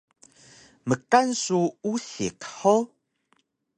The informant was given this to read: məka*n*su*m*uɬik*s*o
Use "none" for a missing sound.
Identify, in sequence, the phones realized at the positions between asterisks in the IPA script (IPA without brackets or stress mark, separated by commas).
n, none, ħ